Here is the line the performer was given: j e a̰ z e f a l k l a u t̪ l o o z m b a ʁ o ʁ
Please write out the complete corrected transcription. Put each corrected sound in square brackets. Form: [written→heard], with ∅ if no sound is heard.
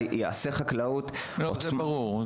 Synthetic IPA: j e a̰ [z→s] e [f→χ] a [l→∅] k l a u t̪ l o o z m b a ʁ [o→u] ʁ